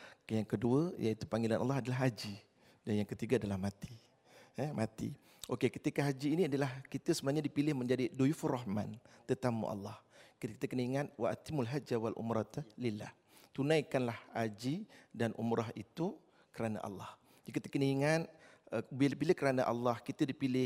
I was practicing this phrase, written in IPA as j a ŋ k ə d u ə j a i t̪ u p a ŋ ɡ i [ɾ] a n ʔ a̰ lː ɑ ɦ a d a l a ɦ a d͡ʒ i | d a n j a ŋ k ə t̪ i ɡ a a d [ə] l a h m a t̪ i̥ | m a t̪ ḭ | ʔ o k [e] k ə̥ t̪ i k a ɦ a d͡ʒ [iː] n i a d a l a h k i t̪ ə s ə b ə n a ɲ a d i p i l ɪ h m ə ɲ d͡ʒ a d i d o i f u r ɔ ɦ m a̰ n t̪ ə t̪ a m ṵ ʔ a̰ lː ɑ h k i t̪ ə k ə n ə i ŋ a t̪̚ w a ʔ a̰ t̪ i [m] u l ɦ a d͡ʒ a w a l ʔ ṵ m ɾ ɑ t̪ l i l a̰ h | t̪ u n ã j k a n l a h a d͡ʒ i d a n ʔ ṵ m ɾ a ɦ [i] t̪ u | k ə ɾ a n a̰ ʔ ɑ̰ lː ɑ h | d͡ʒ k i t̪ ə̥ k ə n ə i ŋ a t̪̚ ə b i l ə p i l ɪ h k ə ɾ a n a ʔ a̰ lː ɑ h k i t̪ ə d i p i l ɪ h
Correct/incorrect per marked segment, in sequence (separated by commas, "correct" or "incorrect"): incorrect, incorrect, correct, correct, correct, correct